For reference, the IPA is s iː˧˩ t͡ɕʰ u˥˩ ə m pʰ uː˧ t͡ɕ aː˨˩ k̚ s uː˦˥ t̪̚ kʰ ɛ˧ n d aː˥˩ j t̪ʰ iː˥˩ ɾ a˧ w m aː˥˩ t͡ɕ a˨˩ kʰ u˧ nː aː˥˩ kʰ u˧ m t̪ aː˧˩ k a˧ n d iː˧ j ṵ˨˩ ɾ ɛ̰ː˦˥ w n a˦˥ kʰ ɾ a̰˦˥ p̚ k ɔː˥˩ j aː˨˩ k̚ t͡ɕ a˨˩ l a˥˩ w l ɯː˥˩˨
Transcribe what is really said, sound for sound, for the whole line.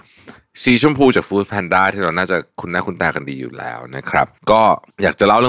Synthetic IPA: s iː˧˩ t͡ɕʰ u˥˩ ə m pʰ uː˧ t͡ɕ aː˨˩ k̚ f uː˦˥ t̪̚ pʰ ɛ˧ n d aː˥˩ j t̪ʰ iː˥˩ ɾ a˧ w n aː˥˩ t͡ɕ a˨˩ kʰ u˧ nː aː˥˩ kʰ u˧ n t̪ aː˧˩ k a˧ n d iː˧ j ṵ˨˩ l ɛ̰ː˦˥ w n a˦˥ kʰ ɾ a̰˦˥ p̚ k ɔː˥˩ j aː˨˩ k̚ t͡ɕ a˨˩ l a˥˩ w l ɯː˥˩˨